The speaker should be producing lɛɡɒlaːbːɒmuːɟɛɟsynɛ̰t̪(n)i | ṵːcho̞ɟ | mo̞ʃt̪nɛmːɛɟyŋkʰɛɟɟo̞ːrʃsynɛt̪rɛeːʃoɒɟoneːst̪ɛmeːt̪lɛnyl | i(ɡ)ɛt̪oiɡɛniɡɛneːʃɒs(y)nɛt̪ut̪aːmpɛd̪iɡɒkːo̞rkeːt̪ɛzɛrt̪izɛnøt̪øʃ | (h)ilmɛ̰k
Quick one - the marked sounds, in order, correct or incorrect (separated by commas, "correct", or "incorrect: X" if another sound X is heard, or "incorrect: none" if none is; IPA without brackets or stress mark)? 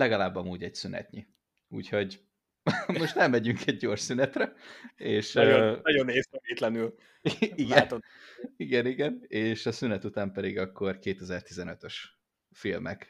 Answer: incorrect: ɲ, correct, correct, incorrect: f